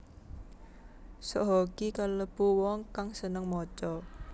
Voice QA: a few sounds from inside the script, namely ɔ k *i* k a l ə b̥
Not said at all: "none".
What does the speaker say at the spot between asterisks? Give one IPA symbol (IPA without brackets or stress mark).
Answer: i